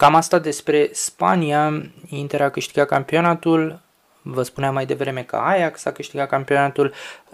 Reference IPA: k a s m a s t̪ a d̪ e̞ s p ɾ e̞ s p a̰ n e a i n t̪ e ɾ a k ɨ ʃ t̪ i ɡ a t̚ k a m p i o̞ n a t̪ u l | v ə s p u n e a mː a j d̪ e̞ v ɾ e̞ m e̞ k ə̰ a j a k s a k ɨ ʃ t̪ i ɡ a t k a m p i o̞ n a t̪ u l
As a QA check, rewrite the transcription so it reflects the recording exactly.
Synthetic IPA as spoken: k a m a s t̪ a d̪ e̞ s p ɾ e̞ s p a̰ n i a i n t̪ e ɾ a k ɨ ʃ t̪ i ɡ a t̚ k a m p i o̞ n a t̪ u l | v ə s p u n e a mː a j d̪ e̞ v ɾ e̞ m e̞ k ə̰ a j a k s a k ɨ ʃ t̪ i ɡ a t k a m p i o̞ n a t̪ u l